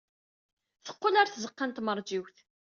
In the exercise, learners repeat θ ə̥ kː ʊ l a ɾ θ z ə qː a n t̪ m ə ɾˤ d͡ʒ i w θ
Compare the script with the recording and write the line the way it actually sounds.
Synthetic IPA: θ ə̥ qː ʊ l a ɾ θ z ə qː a n t̪ m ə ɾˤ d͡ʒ i w θ